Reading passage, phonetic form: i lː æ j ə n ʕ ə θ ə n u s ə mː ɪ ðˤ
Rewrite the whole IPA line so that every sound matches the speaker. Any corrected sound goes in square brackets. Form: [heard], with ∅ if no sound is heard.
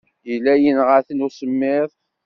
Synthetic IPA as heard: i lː æ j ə n [ʁ] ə θ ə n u s ə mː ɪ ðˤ